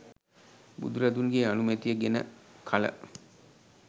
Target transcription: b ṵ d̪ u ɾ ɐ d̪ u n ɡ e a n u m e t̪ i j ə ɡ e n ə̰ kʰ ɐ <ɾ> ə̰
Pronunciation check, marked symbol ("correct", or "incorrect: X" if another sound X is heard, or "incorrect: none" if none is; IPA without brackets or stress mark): incorrect: l